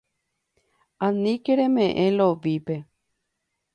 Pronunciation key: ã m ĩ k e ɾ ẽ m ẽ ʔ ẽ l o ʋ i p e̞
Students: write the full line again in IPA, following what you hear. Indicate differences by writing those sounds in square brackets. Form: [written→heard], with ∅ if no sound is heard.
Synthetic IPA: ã [m→n] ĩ k e ɾ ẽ m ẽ ʔ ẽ l o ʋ i p e̞

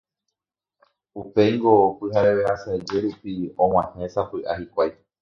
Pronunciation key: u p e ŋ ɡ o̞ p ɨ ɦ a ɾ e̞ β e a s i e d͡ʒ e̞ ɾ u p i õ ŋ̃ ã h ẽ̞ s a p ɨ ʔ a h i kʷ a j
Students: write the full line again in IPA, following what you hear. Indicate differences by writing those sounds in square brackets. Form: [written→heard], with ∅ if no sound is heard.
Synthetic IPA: u p e ŋ ɡ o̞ p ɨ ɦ a ɾ e̞ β e a s [i→a] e d͡ʒ e̞ ɾ u p i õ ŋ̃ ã h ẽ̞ s a p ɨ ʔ a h i kʷ a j

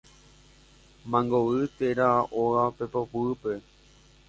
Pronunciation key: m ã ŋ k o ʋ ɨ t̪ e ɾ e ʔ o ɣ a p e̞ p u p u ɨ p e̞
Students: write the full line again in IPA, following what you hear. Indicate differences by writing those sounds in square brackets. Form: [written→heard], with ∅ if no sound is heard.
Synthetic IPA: m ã ŋ [k→ɡ] o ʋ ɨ t̪ e ɾ [e→a] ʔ o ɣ a p e̞ p [u→o] p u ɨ p e̞

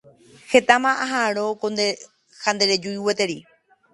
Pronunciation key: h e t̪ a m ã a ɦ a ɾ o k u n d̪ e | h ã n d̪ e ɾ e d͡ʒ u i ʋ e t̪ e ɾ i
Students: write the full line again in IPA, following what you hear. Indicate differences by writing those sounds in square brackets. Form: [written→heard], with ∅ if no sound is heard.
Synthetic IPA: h e t̪ a m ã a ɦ a ɾ o k [u→o] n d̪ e | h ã n d̪ e ɾ e d͡ʒ u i [ʋ→w] e t̪ e ɾ i

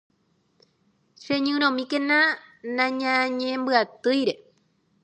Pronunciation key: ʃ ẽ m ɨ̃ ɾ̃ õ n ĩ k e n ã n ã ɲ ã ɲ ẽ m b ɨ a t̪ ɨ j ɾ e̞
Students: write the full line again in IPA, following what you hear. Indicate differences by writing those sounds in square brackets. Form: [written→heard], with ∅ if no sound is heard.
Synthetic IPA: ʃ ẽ [m→ɲ] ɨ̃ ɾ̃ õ [n→m] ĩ k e n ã n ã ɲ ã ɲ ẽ m b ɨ a t̪ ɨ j ɾ e̞

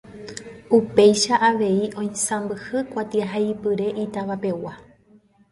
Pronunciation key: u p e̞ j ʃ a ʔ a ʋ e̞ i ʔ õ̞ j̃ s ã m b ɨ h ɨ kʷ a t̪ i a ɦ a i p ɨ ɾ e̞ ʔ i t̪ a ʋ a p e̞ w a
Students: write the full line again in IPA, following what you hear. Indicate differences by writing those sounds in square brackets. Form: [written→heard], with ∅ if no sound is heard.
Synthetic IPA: u p e̞ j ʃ a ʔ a ʋ e̞ i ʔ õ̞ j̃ s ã m b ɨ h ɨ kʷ a t̪ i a ɦ a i p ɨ ɾ e̞ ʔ i t̪ a ʋ a p e̞ w a

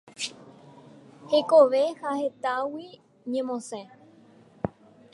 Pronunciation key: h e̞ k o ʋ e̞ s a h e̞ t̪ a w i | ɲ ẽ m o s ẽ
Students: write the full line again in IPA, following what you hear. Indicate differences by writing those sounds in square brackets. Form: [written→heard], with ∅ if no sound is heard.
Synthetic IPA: h e̞ k o ʋ e̞ [s→h] a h e̞ t̪ a w i | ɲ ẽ m [o→õ] s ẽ

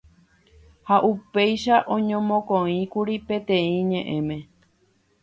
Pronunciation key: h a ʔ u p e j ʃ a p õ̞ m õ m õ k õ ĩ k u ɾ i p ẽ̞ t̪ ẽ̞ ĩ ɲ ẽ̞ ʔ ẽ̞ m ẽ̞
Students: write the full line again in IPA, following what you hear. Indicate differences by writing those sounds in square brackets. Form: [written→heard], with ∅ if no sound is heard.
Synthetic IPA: h a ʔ u p e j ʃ a [p→ʔ] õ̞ [m→ɲ] õ m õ k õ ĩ k u ɾ i p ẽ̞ t̪ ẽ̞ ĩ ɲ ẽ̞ ʔ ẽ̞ m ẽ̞

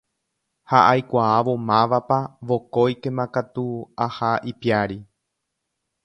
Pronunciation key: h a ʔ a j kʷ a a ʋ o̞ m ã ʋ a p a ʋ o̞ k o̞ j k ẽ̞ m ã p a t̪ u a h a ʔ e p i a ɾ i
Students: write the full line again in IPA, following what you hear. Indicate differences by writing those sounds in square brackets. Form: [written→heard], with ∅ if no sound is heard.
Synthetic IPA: h a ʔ a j kʷ a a ʋ o̞ m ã ʋ a p a ʋ o̞ k o̞ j k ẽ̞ m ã [p→k] a t̪ u a h a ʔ [e→i] p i a ɾ i

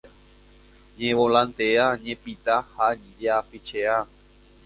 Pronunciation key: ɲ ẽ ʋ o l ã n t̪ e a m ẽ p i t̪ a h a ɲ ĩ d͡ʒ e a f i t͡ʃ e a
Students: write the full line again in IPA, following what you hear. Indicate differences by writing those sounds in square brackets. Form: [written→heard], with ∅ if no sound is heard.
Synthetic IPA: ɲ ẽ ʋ o l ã n t̪ e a [m→ɲ] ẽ p i t̪ a h a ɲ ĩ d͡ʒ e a f i t͡ʃ e a

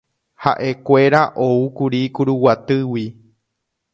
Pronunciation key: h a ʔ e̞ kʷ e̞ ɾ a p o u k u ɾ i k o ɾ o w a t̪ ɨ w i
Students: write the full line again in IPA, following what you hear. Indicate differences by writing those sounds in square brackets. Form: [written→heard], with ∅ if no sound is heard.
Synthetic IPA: h a ʔ e̞ kʷ e̞ ɾ a [p→ʔ] o u k u ɾ i k [o→u] ɾ [o→u] w a t̪ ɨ w i

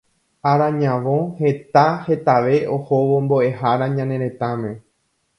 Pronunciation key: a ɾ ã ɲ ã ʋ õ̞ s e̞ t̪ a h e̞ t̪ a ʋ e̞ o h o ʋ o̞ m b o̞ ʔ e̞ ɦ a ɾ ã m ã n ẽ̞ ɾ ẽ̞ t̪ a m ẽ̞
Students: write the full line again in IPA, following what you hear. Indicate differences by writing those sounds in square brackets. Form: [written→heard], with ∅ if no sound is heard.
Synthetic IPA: a ɾ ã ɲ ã ʋ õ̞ [s→h] e̞ t̪ a h e̞ t̪ a ʋ e̞ o h o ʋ o̞ m b o̞ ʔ e̞ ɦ a ɾ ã [m→ɲ] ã n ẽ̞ ɾ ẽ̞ t̪ a m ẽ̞

